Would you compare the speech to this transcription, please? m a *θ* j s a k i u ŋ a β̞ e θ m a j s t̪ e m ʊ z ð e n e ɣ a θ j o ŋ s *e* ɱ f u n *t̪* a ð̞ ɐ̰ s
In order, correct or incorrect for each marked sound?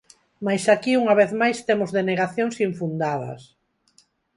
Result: incorrect: none, incorrect: i, incorrect: d̪

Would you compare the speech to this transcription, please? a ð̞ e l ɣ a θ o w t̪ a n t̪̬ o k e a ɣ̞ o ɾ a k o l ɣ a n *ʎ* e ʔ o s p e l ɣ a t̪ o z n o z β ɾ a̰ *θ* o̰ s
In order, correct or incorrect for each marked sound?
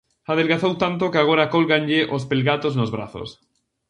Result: correct, correct

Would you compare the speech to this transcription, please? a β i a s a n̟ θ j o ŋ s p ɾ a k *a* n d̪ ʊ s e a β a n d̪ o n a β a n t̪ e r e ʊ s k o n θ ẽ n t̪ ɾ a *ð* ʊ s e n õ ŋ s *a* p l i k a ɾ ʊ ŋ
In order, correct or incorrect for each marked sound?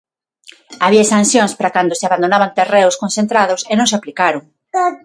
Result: correct, correct, correct

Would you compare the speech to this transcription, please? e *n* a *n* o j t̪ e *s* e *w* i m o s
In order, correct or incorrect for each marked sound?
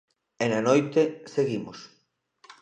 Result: correct, correct, correct, incorrect: ɣ

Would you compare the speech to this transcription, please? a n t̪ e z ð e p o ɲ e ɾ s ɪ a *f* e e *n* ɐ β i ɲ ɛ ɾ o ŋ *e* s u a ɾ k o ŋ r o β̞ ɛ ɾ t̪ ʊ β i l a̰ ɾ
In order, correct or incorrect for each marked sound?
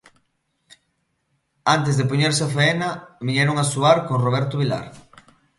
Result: correct, correct, incorrect: a

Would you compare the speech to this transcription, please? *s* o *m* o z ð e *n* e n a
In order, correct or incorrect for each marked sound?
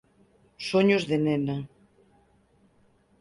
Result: correct, incorrect: ɲ, correct

